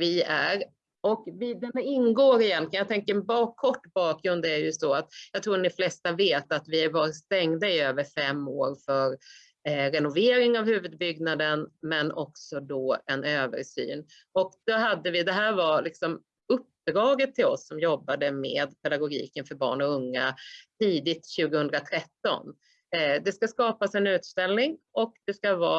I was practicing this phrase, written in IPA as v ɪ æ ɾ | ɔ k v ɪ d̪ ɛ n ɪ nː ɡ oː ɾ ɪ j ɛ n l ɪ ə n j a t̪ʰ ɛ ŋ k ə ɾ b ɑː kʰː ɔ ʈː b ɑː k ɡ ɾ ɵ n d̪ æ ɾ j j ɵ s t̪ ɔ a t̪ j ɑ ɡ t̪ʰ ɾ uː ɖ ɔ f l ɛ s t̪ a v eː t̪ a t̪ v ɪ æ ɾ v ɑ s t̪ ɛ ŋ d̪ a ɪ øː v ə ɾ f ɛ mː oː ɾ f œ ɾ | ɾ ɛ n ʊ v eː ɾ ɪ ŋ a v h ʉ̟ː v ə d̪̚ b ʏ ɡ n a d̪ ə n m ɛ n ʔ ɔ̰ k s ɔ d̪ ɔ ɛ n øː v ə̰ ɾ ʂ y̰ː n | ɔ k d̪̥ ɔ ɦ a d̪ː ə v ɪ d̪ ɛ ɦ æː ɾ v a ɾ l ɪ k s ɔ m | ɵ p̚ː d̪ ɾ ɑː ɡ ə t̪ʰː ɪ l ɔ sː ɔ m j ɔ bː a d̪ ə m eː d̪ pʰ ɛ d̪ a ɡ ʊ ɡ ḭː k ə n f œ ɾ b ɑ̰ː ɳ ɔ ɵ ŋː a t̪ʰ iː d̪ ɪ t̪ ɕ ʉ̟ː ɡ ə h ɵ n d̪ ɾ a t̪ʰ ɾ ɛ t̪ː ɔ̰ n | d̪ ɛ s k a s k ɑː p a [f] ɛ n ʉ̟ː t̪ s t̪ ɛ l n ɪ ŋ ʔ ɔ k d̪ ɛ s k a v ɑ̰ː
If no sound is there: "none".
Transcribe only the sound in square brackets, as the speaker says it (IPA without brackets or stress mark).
s